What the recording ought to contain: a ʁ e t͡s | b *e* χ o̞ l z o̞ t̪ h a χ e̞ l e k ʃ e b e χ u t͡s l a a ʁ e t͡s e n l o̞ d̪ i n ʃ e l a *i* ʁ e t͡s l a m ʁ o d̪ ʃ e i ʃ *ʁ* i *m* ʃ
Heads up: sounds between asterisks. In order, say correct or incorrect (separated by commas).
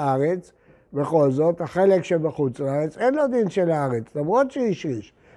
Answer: correct, incorrect, correct, incorrect